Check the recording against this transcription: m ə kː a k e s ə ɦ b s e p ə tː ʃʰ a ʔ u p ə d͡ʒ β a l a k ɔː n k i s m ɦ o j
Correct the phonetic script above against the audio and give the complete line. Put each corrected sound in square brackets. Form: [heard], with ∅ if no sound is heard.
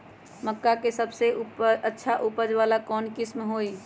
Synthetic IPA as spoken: m ə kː a k e s ə [∅] b s e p ə tː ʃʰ a ʔ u p ə d͡ʒ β a l a k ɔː n k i s m ɦ o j